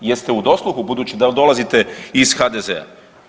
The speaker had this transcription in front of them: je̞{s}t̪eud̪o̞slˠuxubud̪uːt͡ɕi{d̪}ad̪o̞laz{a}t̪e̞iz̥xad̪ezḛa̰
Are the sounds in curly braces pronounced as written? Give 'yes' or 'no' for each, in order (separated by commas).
yes, yes, no